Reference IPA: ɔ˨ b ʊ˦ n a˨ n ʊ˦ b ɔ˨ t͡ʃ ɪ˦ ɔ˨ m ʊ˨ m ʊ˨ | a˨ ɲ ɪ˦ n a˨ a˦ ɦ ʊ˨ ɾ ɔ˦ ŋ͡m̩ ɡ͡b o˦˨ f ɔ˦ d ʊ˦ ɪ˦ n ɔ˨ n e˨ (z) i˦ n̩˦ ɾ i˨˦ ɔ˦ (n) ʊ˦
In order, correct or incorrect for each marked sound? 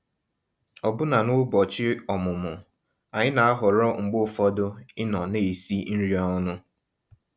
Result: incorrect, correct

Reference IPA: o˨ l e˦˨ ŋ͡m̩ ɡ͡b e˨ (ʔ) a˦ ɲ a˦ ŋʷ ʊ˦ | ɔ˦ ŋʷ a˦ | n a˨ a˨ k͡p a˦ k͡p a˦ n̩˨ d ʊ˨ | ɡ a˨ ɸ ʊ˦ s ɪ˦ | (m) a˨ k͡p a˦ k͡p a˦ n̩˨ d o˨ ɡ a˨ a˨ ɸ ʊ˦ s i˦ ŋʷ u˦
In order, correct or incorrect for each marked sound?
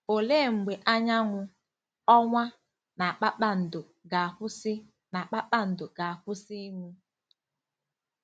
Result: correct, incorrect

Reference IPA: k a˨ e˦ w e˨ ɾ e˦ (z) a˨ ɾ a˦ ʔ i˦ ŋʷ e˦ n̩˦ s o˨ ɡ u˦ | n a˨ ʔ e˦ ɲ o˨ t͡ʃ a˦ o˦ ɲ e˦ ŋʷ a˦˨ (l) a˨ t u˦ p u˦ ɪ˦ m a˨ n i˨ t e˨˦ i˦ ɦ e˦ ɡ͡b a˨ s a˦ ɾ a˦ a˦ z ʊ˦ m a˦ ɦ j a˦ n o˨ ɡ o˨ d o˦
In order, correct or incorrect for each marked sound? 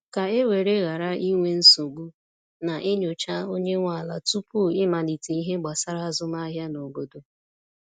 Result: incorrect, correct

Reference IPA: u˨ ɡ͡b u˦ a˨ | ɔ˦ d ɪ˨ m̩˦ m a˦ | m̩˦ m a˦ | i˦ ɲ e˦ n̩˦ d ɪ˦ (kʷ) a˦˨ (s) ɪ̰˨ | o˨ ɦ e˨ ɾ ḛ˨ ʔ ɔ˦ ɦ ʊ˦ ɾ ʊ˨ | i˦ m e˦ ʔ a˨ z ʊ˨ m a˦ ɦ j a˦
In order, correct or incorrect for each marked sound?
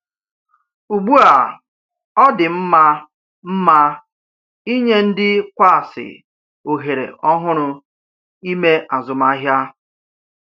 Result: correct, correct

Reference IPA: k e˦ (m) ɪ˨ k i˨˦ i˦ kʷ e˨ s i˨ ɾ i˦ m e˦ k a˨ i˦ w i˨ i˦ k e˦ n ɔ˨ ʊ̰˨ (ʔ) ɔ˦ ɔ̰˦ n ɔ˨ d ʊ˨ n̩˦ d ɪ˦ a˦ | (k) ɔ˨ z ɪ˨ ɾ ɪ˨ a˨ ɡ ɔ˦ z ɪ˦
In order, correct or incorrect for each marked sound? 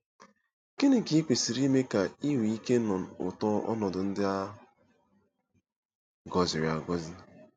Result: incorrect, incorrect, incorrect

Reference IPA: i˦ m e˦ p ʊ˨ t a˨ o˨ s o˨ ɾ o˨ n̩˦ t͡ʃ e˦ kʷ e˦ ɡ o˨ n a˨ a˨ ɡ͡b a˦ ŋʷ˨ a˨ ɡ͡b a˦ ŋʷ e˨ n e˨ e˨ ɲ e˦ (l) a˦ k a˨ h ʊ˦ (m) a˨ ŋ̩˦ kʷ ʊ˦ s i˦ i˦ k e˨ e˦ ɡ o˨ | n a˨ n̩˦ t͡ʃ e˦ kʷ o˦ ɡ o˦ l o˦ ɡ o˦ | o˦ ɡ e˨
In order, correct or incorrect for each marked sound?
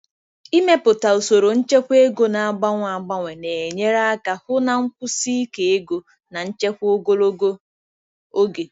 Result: incorrect, incorrect

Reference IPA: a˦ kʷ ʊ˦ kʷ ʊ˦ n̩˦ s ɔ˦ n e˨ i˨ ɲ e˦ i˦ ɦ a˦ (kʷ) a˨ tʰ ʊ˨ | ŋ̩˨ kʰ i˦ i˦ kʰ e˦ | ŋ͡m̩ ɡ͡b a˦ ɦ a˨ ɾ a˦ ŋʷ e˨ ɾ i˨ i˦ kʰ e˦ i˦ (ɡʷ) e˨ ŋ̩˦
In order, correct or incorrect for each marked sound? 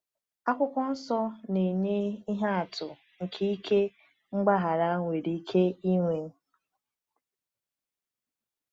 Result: incorrect, incorrect

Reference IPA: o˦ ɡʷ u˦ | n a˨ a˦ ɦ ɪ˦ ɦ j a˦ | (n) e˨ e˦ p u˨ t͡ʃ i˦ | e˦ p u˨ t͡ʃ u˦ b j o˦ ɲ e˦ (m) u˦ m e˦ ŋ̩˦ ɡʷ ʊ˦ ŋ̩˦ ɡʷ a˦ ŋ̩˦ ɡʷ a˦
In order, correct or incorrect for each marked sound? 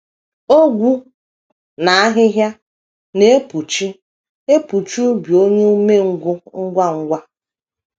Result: correct, incorrect

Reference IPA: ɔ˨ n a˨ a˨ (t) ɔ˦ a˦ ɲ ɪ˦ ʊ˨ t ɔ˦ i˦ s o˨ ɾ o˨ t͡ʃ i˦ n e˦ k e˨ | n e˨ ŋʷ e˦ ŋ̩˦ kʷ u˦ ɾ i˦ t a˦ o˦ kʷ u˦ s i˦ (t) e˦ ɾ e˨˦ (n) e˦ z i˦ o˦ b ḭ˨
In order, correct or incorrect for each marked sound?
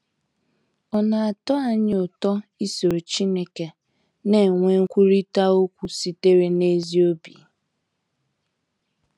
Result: correct, correct, correct

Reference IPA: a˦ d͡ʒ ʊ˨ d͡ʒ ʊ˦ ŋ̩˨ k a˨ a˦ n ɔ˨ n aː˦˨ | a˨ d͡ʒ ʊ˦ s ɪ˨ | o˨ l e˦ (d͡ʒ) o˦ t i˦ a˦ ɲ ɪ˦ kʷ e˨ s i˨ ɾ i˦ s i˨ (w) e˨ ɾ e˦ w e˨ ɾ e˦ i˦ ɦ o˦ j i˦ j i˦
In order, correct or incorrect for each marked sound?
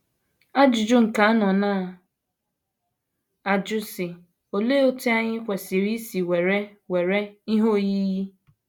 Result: incorrect, correct

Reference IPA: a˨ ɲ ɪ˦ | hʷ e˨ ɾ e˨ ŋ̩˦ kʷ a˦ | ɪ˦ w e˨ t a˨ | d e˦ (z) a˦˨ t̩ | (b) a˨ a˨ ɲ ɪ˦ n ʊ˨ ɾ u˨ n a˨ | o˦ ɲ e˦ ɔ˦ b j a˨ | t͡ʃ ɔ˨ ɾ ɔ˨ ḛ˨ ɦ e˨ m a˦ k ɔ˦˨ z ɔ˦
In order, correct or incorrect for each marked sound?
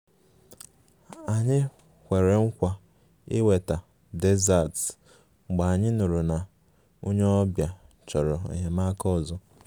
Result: correct, incorrect

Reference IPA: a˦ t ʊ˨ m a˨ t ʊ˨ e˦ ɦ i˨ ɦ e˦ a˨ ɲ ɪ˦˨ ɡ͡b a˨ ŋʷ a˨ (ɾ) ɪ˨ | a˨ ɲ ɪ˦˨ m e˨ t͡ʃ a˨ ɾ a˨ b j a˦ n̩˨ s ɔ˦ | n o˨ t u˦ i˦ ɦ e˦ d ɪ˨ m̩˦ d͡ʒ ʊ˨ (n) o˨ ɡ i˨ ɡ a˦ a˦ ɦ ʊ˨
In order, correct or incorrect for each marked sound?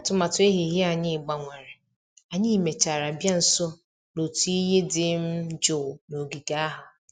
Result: correct, correct

